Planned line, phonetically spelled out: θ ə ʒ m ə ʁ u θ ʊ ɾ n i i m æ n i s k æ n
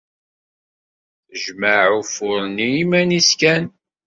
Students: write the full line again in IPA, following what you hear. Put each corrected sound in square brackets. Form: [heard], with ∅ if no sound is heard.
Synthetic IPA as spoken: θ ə ʒ m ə [ʕ] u [f] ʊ ɾ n i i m æ n i s k æ n